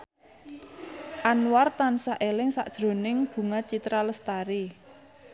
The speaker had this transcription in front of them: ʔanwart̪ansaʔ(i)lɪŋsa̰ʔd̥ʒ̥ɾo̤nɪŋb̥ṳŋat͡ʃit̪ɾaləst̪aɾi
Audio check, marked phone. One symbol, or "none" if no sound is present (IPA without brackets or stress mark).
e